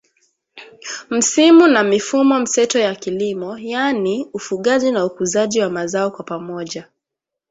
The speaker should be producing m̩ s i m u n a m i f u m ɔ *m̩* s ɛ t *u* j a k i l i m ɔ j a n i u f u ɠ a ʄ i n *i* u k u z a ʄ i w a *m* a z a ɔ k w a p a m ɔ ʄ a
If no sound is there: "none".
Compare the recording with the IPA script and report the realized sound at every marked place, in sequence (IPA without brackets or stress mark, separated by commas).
m̩, ɔ, a, m